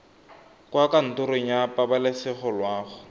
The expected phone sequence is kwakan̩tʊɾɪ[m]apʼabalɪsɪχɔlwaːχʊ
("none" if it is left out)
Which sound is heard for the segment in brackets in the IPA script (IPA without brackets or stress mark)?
ɲ